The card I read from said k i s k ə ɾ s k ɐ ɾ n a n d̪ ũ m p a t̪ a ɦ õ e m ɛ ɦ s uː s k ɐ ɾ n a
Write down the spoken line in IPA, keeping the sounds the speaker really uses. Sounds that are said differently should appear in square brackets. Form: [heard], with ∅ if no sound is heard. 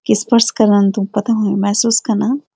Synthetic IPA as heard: k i s [p] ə ɾ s k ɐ ɾ n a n [t̪] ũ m p [ɐ] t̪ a ɦ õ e m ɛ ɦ s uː s k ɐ ɾ n a